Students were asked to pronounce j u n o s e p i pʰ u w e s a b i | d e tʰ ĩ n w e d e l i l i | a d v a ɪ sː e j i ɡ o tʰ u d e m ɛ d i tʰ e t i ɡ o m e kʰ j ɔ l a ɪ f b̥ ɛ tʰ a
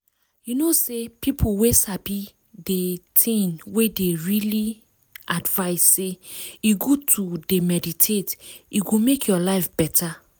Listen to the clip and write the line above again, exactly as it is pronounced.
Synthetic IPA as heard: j u n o s e p i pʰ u w e s a b i | d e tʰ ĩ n w e d e ɹ i l i | a d v a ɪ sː e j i ɡ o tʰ u d e m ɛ d i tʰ e t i ɡ o m e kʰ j ɔ l a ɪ f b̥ ɛ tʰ a